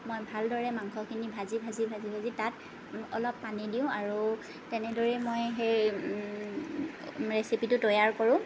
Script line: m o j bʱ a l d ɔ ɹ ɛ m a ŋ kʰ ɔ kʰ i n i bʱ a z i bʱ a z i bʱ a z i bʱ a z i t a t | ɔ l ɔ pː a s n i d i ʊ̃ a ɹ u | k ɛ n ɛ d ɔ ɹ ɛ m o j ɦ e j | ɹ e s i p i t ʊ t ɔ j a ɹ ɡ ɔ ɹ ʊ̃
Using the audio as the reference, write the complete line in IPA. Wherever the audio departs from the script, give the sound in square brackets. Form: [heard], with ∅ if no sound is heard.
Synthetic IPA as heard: m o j bʱ a l d ɔ ɹ ɛ m a ŋ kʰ ɔ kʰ i n i bʱ a z i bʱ a z i bʱ a z i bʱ a z i t a t | ɔ l ɔ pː a [∅] n i d i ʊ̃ a ɹ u | [t] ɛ n ɛ d ɔ ɹ ɛ m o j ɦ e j | ɹ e s i p i t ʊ t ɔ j a ɹ [k] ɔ ɹ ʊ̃